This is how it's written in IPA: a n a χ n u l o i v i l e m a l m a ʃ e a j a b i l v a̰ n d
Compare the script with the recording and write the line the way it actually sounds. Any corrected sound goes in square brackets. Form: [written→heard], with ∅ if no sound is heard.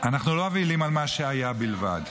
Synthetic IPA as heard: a n a χ n u l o [i→a] v i l [e→i] m a l m a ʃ e a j a b i l v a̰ [n→∅] d